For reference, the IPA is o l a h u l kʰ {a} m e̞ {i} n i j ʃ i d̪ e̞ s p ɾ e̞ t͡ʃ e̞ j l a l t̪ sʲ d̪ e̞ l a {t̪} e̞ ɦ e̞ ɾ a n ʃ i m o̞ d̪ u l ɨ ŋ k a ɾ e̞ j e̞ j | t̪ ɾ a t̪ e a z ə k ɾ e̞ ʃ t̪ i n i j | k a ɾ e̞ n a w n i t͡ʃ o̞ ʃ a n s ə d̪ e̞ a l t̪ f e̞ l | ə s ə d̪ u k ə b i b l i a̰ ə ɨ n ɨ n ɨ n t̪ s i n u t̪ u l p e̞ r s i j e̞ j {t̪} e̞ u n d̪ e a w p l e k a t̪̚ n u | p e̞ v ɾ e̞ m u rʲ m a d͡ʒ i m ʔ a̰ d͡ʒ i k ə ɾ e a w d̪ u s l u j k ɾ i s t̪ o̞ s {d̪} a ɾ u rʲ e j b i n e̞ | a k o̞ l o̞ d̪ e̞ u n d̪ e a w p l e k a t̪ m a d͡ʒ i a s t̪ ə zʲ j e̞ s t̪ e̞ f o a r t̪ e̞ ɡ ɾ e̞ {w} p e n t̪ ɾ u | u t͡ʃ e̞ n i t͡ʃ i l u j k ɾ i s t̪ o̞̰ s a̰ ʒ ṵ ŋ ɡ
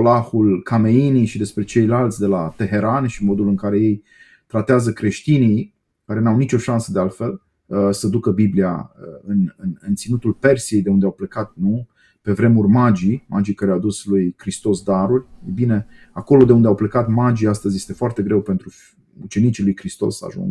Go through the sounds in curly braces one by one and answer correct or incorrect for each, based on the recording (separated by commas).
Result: correct, correct, correct, incorrect, correct, correct